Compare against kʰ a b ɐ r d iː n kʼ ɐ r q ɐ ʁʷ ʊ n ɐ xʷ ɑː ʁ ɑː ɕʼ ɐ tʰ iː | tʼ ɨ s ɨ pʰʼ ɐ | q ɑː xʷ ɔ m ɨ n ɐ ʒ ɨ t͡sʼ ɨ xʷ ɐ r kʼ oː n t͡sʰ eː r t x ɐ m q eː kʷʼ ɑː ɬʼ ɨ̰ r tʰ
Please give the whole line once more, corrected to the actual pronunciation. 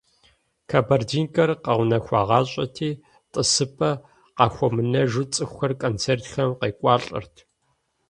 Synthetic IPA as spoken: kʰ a b ɐ r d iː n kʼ ɐ r q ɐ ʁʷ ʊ n ɐ xʷ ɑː ʁ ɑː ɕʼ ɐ tʰ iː | tʼ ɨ s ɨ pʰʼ ɐ | q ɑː xʷ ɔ m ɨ n ɐ ʒ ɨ t͡sʼ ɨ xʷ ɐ r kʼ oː n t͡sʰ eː r t x ɐ m q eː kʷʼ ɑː ɬʼ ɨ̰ r tʰ

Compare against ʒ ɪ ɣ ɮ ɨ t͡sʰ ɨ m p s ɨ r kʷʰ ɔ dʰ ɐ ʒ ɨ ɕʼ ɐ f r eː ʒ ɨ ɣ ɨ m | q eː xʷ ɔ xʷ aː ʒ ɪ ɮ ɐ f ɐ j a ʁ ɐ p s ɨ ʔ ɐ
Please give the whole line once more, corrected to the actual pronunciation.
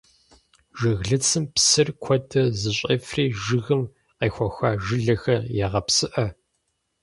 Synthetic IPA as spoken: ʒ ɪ ɣ ɮ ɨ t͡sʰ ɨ m p s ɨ r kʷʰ ɔ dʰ ɐ z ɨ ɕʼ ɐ f r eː ʒ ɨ ɣ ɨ m | q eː xʷ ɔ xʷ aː ʒ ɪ ɮ ɐ x ɐ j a ʁ ɐ p s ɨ ʔ ɐ

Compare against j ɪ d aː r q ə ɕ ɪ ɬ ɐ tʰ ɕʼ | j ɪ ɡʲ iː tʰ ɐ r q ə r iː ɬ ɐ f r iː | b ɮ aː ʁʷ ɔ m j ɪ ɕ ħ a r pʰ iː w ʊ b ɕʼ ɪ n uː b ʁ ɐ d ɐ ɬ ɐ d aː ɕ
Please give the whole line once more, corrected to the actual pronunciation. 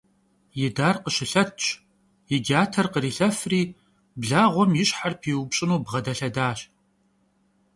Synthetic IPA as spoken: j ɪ d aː r q ə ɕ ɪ ɬ ɐ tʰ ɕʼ | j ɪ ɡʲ aː tʰ ɐ r q ə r iː ɬ ɐ f r iː | b ɮ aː ʁʷ ɔ m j ɪ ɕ ħ a r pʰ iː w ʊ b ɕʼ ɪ n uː b ʁ ɐ d ɐ ɬ ɐ d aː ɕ

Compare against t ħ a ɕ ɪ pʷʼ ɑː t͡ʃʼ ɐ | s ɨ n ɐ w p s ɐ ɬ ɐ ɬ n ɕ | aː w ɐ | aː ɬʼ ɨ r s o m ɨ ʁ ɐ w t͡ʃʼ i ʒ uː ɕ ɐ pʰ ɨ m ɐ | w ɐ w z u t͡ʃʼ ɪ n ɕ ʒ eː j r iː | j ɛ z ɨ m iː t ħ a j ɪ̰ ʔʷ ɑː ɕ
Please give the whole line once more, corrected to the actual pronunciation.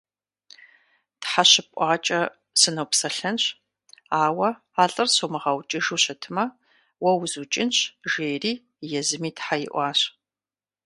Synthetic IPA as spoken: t ħ a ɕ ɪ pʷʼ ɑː t͡ʃʼ ɐ | s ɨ n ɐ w p s ɐ ɬ ɐ n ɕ | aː w ɐ | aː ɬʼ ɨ r s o m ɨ ʁ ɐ w t͡ʃʼ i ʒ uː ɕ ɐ tʰ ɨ m ɐ | w ɐ w z u t͡ʃʼ ɪ n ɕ ʒ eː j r iː | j ɛ z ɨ m iː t ħ a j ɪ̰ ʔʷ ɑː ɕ

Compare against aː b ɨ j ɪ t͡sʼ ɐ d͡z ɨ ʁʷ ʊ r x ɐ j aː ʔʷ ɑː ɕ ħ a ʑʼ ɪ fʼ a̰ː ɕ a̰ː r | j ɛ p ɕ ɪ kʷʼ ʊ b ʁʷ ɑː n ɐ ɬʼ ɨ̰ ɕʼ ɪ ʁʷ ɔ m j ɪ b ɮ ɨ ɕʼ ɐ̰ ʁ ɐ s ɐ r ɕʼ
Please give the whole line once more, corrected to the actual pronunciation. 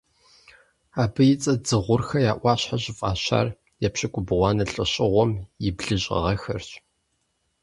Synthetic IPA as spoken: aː b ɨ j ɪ t͡sʼ ɐ d͡z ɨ ʁʷ ʊ r x ɐ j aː ʔʷ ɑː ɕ ħ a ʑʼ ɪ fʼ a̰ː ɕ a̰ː r | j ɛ p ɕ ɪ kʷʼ ʊ b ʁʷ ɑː n ɐ ɬʼ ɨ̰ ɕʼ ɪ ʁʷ ɔ m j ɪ b ɮ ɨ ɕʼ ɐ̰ ʁ ɐ x ɐ r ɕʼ

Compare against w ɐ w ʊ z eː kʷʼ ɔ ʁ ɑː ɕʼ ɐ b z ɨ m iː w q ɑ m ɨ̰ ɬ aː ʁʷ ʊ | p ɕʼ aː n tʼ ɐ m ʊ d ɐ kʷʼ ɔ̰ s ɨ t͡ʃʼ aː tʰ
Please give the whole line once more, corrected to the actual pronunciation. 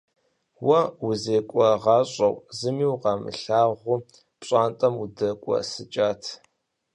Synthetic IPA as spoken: w ɐ w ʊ z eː kʷʼ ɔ ʁ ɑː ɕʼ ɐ w z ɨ m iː w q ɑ m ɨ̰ ɬ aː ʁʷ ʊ | p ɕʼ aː n tʼ ɐ m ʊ d ɐ kʷʼ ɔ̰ s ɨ t͡ʃʼ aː tʰ

